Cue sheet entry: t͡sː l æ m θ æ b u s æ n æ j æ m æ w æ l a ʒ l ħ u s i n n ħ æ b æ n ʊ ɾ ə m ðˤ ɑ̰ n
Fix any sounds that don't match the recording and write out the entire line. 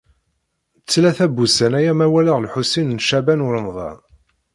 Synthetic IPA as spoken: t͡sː l æ θ æ b u s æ n æ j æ m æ w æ l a ʁ l ħ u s i n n ʃ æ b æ n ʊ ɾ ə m ðˤ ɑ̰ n